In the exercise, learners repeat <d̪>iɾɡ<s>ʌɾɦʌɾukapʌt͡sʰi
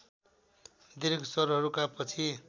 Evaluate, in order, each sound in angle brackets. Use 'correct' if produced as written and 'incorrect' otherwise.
correct, correct

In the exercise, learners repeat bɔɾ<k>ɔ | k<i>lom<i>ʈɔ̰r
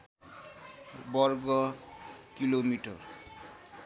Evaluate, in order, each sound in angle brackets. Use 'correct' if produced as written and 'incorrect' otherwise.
incorrect, correct, correct

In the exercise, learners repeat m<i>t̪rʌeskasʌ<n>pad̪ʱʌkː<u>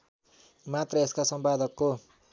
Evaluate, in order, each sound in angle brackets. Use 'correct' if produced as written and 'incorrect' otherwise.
incorrect, incorrect, incorrect

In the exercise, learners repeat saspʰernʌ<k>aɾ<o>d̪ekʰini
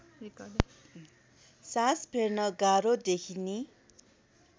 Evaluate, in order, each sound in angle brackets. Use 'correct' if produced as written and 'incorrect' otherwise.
incorrect, correct

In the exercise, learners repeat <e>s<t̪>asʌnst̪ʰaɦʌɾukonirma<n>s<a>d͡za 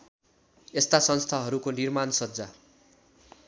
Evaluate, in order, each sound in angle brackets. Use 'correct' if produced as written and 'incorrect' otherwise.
correct, correct, correct, incorrect

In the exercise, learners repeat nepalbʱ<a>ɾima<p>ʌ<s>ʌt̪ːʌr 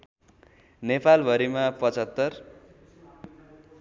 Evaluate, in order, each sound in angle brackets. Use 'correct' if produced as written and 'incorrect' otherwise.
incorrect, correct, incorrect

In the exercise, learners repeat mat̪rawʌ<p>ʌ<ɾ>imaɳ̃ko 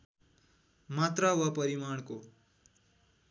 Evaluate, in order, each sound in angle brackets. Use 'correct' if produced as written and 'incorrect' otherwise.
correct, correct

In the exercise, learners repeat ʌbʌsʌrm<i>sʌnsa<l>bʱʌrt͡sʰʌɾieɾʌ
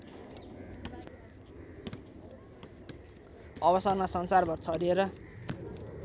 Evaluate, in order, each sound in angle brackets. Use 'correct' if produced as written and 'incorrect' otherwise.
incorrect, incorrect

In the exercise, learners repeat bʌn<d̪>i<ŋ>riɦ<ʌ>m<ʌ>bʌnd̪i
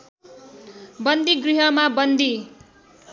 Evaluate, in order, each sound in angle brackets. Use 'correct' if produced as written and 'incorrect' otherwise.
correct, incorrect, correct, incorrect

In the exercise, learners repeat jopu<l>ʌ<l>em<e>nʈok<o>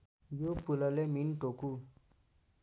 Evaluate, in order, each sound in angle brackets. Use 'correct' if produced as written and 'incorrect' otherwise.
correct, correct, incorrect, incorrect

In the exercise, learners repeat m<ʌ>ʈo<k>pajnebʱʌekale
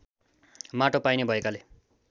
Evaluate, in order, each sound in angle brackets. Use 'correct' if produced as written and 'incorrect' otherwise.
incorrect, incorrect

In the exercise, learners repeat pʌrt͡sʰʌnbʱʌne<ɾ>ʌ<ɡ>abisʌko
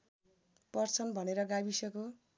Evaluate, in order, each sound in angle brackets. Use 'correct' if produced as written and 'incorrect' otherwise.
correct, correct

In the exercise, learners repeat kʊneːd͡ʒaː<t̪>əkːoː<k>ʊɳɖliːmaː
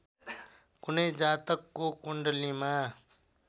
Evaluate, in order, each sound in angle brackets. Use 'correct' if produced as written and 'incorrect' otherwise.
correct, correct

